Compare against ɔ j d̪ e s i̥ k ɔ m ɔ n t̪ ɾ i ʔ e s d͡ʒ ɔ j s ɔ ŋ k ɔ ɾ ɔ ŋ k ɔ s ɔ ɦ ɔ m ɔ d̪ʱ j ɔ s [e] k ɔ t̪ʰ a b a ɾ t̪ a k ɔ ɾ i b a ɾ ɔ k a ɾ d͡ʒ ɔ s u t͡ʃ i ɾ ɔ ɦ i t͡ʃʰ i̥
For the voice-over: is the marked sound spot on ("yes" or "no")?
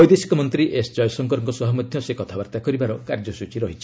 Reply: yes